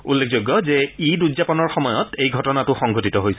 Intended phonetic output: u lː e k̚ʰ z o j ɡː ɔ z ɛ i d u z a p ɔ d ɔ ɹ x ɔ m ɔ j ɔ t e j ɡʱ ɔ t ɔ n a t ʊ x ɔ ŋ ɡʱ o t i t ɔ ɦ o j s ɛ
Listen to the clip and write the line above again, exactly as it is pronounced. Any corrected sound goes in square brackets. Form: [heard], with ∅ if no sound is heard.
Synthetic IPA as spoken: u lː e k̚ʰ z o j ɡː ɔ z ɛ i d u z a p ɔ [n] ɔ ɹ x ɔ m ɔ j ɔ t e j ɡʱ ɔ t ɔ n a t ʊ x ɔ ŋ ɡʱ o t i t ɔ ɦ o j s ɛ